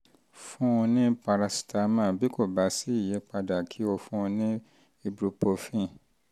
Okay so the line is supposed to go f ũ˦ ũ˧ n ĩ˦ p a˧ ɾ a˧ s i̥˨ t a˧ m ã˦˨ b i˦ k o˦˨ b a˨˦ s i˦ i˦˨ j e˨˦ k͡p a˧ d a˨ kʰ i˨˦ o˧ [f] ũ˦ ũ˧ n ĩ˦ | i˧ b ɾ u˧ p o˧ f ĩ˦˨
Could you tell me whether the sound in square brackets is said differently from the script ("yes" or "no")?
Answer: no